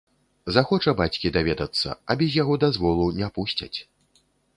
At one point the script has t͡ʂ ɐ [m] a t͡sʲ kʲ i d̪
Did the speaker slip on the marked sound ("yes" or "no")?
yes